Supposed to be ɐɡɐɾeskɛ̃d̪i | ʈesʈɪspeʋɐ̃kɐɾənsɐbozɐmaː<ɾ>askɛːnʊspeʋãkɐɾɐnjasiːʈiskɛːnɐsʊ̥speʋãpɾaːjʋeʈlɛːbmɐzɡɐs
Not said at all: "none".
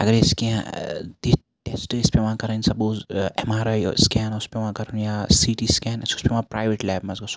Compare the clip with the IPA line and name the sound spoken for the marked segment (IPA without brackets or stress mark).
ɾ